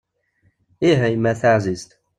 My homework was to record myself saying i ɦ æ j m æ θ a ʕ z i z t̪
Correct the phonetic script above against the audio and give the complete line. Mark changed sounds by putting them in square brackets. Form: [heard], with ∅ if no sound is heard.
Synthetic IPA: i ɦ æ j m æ θ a ʕ z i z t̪